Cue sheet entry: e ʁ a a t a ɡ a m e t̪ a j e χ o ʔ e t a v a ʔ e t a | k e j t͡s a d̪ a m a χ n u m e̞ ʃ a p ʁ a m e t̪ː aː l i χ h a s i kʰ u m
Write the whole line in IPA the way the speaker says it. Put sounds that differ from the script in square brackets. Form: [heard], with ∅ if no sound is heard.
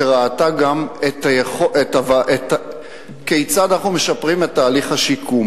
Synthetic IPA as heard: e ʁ a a t a ɡ a m e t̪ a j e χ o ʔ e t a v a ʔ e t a | k e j t͡s a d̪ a [n] a χ n u m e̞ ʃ a p ʁ [i] m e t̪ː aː l i χ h a [ʃ] i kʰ u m